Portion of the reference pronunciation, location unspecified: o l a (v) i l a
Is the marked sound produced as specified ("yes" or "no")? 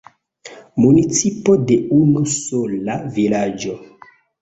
yes